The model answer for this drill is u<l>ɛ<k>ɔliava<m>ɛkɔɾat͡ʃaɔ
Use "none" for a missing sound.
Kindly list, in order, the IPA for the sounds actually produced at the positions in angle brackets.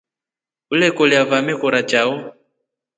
l, k, m

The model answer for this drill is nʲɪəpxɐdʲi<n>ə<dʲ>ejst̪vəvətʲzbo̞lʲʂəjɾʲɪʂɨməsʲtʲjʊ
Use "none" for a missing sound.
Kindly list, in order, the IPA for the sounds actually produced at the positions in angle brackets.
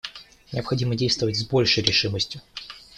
m, dʲ

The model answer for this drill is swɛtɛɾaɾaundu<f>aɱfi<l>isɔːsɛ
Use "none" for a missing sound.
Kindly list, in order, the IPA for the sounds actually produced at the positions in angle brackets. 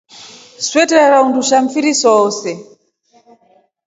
ʃ, ɾ

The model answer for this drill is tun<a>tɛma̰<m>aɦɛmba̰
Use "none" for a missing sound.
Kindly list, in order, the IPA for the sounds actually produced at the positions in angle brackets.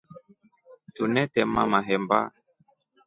ɛ, m

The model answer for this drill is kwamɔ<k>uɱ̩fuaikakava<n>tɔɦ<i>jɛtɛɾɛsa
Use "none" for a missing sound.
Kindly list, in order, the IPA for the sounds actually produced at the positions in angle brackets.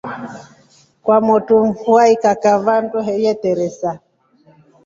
t, n, ɛ

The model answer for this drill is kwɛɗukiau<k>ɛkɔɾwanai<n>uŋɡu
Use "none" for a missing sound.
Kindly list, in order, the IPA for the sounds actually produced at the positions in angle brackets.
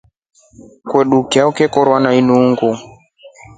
k, n

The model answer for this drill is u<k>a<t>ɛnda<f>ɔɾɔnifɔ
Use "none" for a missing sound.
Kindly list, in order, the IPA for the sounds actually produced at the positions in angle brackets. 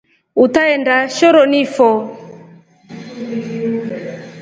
t, none, ʃ

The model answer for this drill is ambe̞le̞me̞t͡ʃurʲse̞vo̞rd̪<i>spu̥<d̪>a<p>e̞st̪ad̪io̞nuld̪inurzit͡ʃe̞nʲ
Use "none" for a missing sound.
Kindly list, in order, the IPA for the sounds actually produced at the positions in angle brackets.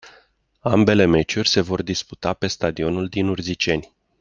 i, t̪, p

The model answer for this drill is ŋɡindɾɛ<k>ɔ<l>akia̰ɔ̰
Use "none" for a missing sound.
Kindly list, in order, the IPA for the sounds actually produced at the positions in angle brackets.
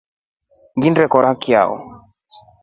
k, ɾ

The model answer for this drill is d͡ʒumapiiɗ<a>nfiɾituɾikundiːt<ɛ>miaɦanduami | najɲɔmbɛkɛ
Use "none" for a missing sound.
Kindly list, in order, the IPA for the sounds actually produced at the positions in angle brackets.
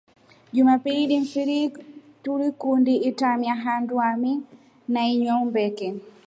i, a

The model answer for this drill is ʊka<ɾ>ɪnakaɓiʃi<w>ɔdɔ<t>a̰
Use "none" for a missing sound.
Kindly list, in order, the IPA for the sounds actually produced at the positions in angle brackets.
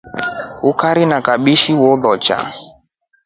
ɾ, w, t͡ʃ

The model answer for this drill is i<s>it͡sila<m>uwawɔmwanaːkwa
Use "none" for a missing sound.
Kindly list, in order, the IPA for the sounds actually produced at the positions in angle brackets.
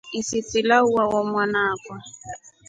s, none

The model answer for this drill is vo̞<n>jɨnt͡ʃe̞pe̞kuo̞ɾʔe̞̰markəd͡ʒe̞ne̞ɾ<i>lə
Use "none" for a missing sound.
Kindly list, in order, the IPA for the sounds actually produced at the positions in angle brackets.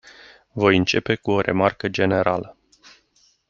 none, a

